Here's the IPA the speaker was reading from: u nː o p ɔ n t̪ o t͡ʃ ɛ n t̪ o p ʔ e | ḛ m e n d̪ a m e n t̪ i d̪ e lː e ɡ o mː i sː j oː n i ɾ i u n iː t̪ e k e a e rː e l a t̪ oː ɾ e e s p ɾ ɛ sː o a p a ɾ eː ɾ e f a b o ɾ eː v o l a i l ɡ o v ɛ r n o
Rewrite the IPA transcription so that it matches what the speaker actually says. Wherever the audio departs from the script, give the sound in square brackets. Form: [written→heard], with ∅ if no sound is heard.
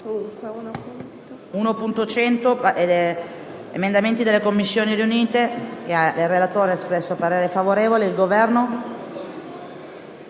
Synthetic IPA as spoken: u [nː→n] o p [ɔ→u] n t̪ o t͡ʃ ɛ n t̪ o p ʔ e | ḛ m e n d̪ a m e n t̪ i d̪ e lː e [ɡ→k] o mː i sː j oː n i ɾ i u n iː t̪ e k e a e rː e l a t̪ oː ɾ e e s p ɾ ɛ sː o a p a ɾ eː ɾ e f a [b→v] o ɾ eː v o l [a→e] i l ɡ o v ɛ r n o